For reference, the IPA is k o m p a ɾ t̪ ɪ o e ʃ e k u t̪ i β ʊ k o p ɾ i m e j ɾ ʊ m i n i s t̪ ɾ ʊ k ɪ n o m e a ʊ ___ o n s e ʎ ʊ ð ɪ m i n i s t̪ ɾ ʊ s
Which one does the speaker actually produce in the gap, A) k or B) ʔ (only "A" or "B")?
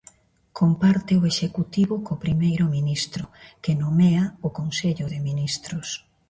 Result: A